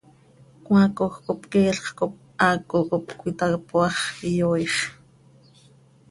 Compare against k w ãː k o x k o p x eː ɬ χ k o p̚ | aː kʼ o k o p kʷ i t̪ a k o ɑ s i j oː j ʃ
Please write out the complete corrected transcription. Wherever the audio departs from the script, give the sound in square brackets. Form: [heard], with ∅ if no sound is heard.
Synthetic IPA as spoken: k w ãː k o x k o p [k] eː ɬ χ k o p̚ | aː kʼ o k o p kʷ i t̪ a [p] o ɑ [χ] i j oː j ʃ